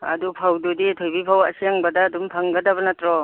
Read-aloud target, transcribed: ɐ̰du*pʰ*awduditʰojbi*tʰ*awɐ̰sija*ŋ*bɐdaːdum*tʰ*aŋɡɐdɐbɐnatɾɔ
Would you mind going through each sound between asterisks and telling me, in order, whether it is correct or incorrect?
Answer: correct, incorrect: pʰ, correct, incorrect: pʰ

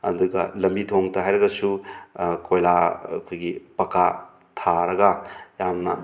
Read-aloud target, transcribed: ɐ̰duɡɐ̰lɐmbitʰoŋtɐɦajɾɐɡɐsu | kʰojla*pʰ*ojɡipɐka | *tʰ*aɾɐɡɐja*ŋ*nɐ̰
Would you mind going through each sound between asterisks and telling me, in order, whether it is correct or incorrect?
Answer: incorrect: kʰ, correct, incorrect: m

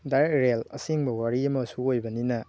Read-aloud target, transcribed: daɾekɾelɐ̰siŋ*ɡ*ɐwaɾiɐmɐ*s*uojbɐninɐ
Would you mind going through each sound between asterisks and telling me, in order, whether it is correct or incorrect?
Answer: incorrect: b, correct

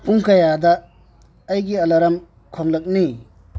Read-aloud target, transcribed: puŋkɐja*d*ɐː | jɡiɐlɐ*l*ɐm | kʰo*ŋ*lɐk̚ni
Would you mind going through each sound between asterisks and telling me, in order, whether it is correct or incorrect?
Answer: correct, incorrect: ɾ, correct

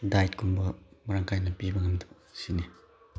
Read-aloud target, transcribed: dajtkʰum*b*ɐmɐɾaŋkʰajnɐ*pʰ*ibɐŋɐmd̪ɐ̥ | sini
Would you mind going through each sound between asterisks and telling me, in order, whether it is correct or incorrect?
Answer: correct, incorrect: p

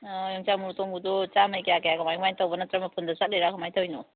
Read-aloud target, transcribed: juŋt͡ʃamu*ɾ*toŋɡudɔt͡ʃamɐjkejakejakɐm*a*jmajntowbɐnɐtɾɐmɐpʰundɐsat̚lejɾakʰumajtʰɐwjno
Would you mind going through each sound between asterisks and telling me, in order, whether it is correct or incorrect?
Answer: correct, correct

